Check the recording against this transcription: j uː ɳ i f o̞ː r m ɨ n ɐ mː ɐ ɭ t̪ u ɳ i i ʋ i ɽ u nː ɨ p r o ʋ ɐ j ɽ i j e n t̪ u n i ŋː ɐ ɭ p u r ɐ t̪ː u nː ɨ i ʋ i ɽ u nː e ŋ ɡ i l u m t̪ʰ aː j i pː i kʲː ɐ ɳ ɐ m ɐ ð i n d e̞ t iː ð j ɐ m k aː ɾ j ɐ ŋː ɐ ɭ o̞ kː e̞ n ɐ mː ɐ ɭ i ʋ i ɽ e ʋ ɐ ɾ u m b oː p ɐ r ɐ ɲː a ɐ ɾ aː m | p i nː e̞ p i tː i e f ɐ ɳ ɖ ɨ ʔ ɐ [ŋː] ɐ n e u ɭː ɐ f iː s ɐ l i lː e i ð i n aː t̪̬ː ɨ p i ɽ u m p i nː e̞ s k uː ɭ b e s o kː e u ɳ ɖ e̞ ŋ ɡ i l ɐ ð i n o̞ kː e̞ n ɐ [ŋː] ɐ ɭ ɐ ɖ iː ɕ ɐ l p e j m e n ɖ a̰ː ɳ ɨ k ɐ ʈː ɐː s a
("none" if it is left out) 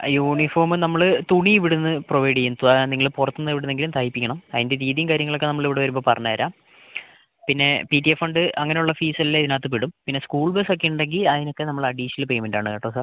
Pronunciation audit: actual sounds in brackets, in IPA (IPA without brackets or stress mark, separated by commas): ŋː, mː